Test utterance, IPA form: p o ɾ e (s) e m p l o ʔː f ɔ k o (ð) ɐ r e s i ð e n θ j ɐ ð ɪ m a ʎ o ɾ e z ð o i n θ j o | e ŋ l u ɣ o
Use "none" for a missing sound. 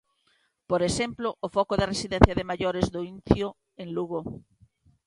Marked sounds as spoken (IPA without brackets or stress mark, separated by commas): s, ð